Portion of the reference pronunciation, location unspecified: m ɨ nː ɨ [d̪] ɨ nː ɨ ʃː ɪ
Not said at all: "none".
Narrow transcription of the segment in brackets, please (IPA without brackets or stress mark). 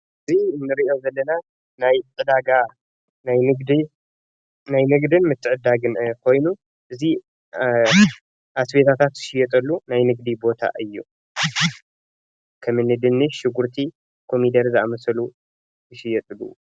d̪